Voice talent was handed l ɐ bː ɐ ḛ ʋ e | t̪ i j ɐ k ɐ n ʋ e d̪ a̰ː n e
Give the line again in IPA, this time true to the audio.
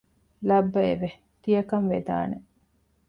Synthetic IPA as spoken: l ɐ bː ɐ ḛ ʋ e | t̪ i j ɐ k ɐ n ʋ e d̪ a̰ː n e